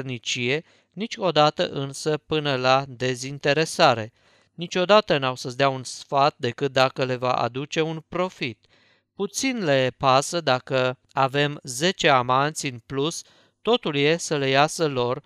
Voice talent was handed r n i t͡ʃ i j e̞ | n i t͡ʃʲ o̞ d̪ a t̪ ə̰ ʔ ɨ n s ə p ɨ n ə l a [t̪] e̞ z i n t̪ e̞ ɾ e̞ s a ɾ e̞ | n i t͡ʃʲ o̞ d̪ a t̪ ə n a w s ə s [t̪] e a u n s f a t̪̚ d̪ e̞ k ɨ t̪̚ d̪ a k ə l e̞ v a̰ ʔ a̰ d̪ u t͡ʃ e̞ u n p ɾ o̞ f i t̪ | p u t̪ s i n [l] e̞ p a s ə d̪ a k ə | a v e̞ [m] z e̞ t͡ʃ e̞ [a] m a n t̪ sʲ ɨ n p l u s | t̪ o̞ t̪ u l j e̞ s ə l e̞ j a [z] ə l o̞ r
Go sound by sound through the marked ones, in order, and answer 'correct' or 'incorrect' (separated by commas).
incorrect, incorrect, correct, correct, correct, incorrect